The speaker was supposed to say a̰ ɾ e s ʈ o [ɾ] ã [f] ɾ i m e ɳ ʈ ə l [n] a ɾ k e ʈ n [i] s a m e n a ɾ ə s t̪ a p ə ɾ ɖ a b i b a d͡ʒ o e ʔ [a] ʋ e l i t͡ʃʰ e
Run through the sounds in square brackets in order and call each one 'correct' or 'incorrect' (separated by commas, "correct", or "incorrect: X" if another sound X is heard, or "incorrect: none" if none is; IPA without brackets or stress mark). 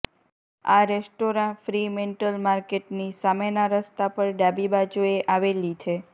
correct, correct, incorrect: m, correct, correct